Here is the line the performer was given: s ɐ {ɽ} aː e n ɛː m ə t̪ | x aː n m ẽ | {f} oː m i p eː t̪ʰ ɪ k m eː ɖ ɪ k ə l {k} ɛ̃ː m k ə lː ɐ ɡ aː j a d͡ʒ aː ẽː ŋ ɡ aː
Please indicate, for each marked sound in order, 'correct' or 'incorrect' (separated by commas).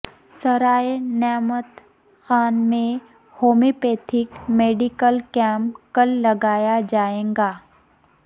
incorrect, incorrect, correct